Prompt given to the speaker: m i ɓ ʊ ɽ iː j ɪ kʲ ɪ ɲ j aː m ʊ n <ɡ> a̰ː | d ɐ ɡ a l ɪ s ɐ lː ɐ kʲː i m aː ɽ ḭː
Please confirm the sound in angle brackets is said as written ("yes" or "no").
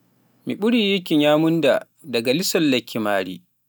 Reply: no